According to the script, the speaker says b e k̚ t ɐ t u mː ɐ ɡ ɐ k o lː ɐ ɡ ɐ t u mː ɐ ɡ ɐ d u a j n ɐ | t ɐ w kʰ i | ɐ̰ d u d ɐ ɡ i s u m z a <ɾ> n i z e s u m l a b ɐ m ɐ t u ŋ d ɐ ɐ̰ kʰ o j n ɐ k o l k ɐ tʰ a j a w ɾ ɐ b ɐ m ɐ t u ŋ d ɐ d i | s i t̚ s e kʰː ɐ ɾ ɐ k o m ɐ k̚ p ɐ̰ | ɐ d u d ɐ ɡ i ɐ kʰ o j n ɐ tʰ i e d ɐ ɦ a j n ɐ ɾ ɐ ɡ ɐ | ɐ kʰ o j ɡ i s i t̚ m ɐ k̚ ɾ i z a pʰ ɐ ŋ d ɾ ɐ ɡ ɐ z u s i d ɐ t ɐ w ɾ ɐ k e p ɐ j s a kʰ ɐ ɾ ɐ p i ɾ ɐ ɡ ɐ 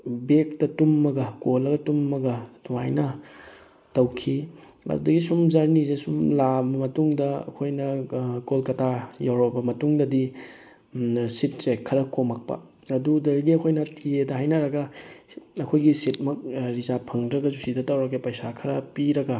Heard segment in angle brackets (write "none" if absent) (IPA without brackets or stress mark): ɾ